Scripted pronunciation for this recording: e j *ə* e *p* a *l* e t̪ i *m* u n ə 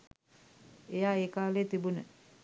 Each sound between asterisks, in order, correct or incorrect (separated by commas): incorrect, incorrect, correct, incorrect